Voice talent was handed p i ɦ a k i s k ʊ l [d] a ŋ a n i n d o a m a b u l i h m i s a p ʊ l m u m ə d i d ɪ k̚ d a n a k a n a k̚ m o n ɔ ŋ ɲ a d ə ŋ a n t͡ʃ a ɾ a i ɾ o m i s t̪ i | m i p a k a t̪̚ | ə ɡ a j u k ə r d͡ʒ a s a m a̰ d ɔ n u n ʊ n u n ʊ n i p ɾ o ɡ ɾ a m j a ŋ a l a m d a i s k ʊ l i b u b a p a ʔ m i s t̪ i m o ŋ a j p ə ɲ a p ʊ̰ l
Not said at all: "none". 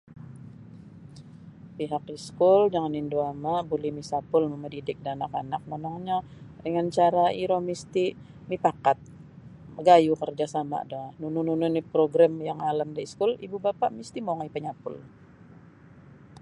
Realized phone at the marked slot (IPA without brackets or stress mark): d͡ʒ